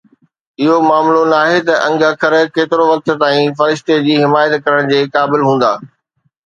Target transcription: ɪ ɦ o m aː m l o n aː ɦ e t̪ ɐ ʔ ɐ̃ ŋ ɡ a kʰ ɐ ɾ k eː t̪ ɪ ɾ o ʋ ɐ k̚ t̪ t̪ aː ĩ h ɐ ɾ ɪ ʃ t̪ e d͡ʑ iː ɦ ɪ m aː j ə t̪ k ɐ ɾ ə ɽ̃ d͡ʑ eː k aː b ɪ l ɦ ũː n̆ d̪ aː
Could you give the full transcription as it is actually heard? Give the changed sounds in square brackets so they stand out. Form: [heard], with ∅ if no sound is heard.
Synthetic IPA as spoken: ɪ ɦ o m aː m l o n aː ɦ e t̪ ɐ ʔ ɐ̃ ŋ ɡ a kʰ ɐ ɾ k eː t̪ ɪ ɾ o ʋ ɐ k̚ t̪ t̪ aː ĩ [f] ɐ ɾ ɪ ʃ t̪ e d͡ʑ iː ɦ ɪ m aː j ə t̪ k ɐ ɾ ə ɽ̃ d͡ʑ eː k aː b ɪ l ɦ ũː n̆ d̪ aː